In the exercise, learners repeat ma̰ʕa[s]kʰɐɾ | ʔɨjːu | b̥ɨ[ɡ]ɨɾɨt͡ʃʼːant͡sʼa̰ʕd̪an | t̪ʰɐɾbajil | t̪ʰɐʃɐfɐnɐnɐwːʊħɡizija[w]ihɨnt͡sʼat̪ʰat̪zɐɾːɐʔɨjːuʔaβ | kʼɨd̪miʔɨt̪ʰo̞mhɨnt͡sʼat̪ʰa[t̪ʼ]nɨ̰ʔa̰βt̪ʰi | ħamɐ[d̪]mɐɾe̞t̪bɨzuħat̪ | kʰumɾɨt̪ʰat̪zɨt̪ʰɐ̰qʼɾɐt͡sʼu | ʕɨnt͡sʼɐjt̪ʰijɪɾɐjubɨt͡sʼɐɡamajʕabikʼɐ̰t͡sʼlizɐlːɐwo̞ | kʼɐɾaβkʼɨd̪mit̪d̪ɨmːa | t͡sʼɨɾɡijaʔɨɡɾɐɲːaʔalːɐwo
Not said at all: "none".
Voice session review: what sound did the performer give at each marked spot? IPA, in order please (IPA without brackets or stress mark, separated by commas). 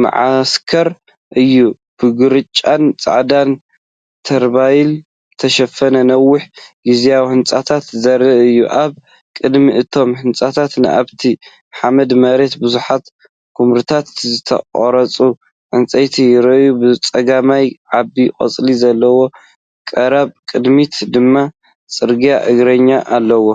s, ɡ, w, t̪, d̪